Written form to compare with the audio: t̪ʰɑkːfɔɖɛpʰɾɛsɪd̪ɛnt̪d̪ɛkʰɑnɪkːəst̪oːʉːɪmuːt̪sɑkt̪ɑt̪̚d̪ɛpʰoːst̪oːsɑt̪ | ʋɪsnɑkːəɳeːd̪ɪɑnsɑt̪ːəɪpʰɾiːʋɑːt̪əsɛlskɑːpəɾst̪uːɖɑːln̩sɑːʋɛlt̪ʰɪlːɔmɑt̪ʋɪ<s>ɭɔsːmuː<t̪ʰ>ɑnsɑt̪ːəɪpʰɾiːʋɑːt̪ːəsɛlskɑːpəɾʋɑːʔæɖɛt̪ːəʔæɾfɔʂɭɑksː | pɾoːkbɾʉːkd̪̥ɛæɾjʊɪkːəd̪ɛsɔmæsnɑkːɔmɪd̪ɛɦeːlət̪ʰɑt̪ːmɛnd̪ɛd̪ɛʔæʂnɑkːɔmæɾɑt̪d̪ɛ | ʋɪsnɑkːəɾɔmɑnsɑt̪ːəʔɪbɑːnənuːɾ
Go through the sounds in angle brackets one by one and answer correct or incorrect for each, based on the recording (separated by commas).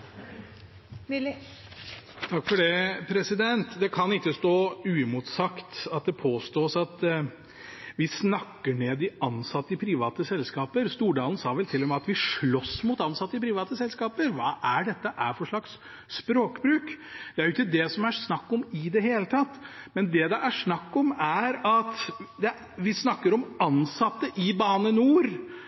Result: incorrect, incorrect